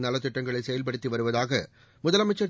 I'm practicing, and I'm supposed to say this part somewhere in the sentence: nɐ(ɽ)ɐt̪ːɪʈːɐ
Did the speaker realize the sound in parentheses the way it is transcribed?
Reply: no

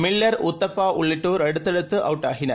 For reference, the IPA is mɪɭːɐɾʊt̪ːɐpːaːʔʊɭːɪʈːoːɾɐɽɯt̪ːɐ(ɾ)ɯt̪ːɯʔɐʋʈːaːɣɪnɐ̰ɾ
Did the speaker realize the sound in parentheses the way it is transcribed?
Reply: no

